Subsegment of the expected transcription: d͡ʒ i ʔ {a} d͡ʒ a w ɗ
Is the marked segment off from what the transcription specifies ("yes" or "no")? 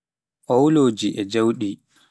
yes